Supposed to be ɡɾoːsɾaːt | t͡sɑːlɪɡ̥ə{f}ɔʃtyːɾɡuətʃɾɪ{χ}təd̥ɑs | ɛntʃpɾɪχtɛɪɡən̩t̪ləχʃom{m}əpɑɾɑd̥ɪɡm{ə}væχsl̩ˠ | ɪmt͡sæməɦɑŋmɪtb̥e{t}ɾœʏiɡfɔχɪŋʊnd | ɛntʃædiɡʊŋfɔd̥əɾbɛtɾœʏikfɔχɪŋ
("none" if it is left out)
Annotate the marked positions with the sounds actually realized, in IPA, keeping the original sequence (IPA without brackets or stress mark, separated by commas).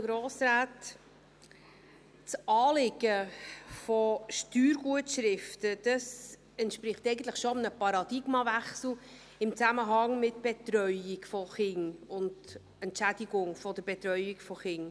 f, f, n, ɑ, t